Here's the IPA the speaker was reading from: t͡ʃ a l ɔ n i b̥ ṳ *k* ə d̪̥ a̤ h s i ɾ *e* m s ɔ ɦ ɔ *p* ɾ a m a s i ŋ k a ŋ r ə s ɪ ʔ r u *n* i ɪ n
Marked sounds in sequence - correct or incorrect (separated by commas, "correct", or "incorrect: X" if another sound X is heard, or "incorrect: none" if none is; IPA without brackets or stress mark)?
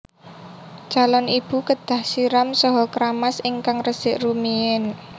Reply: correct, incorrect: a, incorrect: k, incorrect: m